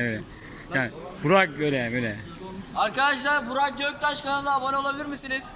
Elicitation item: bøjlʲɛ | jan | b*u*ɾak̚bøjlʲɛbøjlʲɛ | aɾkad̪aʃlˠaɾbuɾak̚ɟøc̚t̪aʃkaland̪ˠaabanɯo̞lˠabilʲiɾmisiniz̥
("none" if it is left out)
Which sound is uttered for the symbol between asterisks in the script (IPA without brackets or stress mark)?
u